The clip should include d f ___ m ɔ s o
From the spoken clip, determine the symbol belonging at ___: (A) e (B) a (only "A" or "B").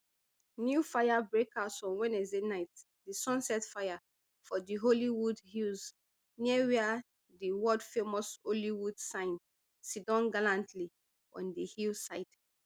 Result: A